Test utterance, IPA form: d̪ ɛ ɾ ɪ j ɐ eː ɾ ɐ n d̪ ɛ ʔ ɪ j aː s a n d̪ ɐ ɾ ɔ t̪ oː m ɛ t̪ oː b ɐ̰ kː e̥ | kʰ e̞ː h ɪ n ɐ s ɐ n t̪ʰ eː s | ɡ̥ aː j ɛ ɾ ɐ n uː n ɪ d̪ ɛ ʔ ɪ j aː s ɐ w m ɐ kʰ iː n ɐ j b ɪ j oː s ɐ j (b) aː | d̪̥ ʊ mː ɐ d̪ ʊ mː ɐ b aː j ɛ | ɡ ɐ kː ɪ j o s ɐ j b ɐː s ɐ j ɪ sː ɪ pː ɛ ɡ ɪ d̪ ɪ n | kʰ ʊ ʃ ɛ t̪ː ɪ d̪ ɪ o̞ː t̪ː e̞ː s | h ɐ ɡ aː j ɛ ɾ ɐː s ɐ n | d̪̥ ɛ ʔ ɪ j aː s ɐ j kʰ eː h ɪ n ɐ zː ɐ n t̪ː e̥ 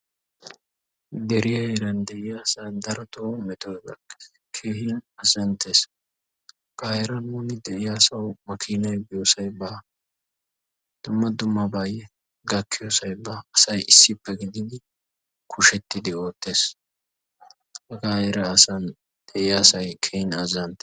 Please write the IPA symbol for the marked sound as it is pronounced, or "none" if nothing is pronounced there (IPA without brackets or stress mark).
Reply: b